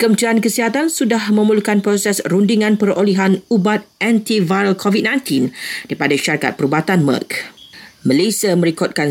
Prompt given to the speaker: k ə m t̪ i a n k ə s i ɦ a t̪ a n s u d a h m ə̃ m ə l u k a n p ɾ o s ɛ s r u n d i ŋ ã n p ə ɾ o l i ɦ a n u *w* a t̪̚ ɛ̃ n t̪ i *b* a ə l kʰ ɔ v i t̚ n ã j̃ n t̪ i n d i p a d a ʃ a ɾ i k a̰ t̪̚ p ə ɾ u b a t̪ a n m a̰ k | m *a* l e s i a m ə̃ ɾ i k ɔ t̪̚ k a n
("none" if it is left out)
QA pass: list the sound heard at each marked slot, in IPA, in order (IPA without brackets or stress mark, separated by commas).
b, v, ə